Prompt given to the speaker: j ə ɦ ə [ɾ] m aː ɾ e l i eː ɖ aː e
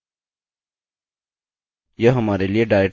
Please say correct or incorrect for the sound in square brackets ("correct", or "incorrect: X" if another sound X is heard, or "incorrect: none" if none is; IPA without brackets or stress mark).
incorrect: none